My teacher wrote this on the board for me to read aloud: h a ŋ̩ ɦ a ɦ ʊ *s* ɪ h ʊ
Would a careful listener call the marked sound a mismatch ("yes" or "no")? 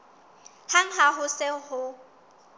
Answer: no